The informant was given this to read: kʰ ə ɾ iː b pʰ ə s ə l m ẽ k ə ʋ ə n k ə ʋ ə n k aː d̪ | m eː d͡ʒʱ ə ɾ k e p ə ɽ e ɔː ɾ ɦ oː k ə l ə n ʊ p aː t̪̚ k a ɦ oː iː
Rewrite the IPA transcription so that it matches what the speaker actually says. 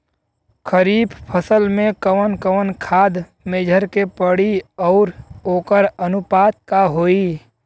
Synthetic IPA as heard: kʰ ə ɾ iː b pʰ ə s ə l m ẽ k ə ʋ ə n k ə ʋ ə n kʰ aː d̪ | m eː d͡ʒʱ ə ɾ k e p ə ɽ i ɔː ɾ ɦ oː k ə ɾ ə n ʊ p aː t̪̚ k a ɦ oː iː

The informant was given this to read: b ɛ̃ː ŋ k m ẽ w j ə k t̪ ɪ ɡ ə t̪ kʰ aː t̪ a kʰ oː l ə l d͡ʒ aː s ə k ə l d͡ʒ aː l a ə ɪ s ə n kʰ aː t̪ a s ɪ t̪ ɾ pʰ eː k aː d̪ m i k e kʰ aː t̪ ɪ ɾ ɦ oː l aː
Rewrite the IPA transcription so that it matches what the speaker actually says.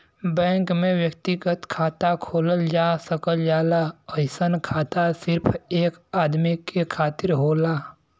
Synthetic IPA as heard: b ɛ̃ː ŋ k m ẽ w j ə k t̪ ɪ ɡ ə t̪ kʰ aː t̪ a kʰ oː l ə l d͡ʒ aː s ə k ə l d͡ʒ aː l a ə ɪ s ə n kʰ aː t̪ a s ɪ ɾ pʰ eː k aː d̪ m i k e kʰ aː t̪ ɪ ɾ ɦ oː l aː

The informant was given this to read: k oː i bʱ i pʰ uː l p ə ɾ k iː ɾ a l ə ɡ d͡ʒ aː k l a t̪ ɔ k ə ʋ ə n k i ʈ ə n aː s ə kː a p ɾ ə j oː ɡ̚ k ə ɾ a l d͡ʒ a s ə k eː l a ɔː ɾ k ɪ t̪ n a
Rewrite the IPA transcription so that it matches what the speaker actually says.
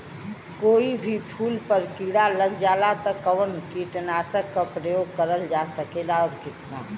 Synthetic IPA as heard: k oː i bʱ i pʰ uː l p ə ɾ k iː ɽ a l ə ɡ d͡ʒ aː l a t̪ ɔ k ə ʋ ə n k i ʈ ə n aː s ə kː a p ɾ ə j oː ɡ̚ k ə ɾ ə l d͡ʒ a s ə k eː l a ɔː ɾ k ɪ t̪ n a

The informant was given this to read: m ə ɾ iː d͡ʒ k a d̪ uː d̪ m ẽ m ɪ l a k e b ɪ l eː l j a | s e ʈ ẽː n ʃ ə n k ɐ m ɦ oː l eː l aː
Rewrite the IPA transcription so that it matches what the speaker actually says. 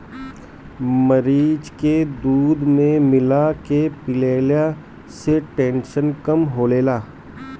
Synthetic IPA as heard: m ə ɾ iː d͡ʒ k e d̪ uː d̪ m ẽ m ɪ l a k e p ɪ l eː l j a | s e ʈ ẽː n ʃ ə n k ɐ m ɦ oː l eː l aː

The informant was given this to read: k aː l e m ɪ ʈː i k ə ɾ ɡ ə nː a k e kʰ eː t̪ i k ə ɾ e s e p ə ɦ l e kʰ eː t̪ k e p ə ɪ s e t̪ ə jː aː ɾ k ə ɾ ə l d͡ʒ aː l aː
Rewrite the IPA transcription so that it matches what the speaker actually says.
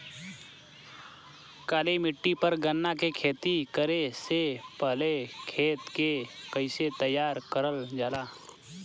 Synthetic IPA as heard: k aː l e m ɪ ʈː i p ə ɾ ɡ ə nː a k e kʰ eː t̪ i k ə ɾ e s e p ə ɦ l e kʰ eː t̪ k e k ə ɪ s e t̪ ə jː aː ɾ k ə ɾ ə l d͡ʒ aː l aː

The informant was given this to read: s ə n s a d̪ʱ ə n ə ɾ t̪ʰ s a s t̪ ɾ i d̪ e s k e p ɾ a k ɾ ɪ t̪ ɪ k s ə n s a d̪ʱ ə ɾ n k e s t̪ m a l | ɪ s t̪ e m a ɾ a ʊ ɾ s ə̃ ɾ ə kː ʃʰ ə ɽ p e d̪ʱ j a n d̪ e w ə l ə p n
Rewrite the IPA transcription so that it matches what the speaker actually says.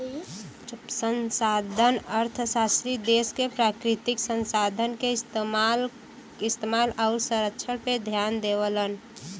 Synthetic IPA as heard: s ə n s a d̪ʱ ə n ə ɾ t̪ʰ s a s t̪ ɾ i d̪ e s k e p ɾ a k ɾ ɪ t̪ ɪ k s ə n s a d̪ʱ ə n k e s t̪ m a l | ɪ s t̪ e m a l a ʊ ɾ s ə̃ ɾ ə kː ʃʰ ə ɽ p e d̪ʱ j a n d̪ e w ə l ə n

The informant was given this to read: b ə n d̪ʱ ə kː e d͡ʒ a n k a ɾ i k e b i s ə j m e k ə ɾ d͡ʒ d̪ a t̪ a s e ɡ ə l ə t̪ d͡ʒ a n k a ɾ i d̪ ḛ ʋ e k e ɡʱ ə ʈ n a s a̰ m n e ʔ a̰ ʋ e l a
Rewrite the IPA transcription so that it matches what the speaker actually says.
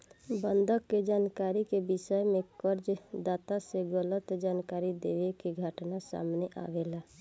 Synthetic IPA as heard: b ə n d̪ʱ ə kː e d͡ʒ a n k a ɾ i k e b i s ə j m e k ə ɾ d͡ʒ d̪ a t̪ a s e ɡ ə l ə t̪ d͡ʒ a n k a ɾ i d̪ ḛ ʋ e k e ɡʱ ə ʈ n a s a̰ m n e ʔ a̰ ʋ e l a

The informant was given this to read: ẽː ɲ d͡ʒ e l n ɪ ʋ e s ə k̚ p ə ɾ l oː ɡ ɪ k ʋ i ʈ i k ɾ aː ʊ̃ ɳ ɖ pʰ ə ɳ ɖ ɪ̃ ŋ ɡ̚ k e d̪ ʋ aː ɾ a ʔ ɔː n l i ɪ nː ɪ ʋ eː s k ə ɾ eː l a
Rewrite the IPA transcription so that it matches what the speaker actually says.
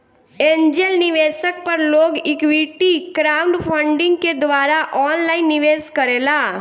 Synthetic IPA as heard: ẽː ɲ d͡ʒ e l n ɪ ʋ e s ə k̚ p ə ɾ l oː ɡ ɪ k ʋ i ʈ i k ɾ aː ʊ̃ ɳ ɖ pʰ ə ɳ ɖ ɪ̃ ŋ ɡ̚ k e d̪ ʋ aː ɾ a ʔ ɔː n l a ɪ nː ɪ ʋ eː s k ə ɾ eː l a

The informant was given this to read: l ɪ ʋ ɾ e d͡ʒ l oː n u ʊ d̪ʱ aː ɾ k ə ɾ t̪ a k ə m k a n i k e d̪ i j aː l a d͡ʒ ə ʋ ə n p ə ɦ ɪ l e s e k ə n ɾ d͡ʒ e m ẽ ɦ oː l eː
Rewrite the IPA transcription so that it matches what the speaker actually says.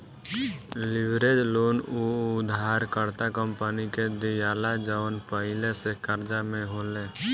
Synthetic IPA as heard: l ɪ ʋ ɾ e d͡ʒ l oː n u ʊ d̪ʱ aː ɾ k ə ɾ t̪ a k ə m p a n i k e d̪ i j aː l a d͡ʒ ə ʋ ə n p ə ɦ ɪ l e s e k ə ɾ d͡ʒ a m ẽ ɦ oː l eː

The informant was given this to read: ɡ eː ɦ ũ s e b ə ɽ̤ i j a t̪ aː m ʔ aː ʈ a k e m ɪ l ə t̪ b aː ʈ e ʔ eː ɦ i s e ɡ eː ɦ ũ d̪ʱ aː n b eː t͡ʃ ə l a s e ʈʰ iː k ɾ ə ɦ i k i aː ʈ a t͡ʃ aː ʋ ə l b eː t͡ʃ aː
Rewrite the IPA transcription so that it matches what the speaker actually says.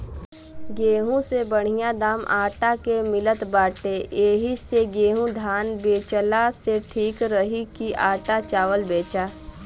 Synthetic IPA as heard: ɡ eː ɦ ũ s e b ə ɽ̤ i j a d̪ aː m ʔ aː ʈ a k e m ɪ l ə t̪ b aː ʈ e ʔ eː ɦ i s e ɡ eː ɦ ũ d̪ʱ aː n b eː t͡ʃ ə l a s e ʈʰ iː k ɾ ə ɦ i k i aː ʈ a t͡ʃ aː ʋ ə l b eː t͡ʃ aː

